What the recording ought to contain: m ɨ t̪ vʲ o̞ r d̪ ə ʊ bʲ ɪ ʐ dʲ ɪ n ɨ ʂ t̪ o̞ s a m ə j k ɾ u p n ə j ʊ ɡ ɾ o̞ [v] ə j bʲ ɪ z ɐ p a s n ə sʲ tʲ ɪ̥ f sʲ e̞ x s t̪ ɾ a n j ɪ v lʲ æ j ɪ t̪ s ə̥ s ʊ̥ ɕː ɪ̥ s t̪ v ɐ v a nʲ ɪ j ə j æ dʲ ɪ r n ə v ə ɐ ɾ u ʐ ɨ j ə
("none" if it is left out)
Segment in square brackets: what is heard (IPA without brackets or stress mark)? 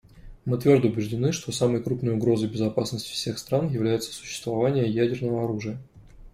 z